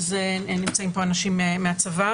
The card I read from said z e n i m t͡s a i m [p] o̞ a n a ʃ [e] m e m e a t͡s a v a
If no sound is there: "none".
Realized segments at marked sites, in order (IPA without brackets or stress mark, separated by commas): p, i